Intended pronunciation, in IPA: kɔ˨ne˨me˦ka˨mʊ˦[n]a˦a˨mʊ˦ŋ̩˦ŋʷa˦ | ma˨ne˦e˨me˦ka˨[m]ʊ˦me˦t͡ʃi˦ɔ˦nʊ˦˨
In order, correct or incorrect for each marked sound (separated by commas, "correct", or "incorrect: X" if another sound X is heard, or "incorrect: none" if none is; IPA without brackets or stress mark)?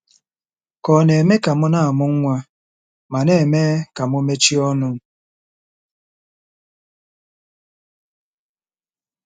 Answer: correct, correct